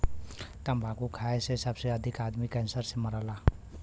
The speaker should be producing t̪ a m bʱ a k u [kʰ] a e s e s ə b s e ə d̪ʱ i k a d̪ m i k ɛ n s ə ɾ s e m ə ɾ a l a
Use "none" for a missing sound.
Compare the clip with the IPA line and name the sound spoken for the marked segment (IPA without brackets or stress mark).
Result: kʰ